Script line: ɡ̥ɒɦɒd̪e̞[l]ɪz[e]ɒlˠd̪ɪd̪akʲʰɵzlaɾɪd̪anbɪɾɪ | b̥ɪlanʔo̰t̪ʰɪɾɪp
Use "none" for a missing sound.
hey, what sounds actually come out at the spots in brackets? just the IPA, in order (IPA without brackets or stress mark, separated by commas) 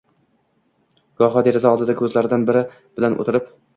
ɾ, a